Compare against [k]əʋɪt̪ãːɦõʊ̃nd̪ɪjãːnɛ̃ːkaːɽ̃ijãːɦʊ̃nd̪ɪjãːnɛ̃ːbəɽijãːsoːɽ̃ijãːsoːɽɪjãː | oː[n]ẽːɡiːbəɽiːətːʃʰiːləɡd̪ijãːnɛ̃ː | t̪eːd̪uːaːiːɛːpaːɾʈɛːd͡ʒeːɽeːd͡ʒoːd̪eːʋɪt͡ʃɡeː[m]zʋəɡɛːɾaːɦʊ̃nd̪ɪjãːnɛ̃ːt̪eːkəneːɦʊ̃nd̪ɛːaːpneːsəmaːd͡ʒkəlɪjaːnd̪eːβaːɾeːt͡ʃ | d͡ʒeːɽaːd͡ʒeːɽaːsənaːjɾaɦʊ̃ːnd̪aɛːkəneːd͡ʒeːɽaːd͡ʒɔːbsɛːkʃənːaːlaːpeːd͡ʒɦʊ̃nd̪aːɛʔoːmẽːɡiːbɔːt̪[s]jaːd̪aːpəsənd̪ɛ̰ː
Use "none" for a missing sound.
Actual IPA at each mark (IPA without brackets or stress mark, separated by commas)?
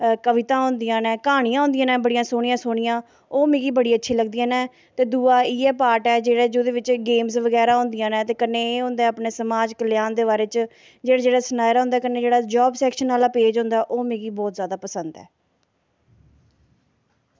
k, m, m, z